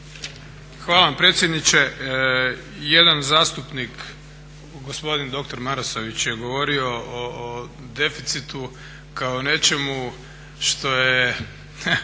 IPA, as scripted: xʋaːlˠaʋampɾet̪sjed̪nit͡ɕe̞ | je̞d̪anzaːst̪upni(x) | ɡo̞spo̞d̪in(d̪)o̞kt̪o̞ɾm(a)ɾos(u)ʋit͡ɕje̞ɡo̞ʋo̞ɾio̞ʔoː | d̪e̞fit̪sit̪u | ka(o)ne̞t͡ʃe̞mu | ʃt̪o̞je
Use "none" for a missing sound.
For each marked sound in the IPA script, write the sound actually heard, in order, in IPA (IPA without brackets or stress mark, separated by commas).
k, d̪, a, o, o